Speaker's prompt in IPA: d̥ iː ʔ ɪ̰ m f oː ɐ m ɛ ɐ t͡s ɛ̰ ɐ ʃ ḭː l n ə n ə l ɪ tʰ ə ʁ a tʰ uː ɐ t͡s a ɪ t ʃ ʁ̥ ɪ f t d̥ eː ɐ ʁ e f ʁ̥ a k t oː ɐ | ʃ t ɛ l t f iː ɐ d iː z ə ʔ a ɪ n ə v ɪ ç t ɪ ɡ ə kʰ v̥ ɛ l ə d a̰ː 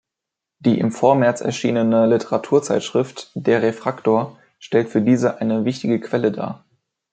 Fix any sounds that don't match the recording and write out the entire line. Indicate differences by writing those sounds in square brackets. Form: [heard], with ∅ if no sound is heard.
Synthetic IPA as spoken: d̥ iː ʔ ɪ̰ m f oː ɐ m ɛ ɐ t͡s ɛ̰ ɐ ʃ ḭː [∅] n ə n ə l ɪ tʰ ə ʁ a tʰ uː ɐ t͡s a ɪ t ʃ ʁ̥ ɪ f t d̥ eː ɐ ʁ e f ʁ̥ a k t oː ɐ | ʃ t ɛ l t f [yː] ɐ d iː z ə ʔ a ɪ n ə v ɪ ç t ɪ ɡ ə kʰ v̥ ɛ l ə d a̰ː